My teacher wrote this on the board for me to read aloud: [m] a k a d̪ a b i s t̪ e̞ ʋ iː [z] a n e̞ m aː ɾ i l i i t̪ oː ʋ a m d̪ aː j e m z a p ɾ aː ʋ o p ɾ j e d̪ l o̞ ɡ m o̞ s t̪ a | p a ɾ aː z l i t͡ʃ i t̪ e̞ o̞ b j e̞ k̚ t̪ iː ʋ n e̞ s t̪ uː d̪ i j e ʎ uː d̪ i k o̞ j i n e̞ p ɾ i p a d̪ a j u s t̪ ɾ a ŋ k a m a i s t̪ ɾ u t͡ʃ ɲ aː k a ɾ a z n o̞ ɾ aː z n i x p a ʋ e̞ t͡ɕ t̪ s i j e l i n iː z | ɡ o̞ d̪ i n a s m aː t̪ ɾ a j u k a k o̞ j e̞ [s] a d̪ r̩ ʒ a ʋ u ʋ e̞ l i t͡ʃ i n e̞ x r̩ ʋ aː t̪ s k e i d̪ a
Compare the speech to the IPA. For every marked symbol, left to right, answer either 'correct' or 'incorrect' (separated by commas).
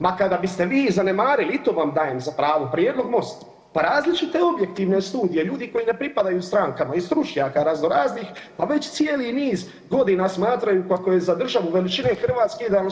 correct, correct, incorrect